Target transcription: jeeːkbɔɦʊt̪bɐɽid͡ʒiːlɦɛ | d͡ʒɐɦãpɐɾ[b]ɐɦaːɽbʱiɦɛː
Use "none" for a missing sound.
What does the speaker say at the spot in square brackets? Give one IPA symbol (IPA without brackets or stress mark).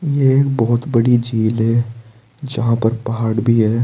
p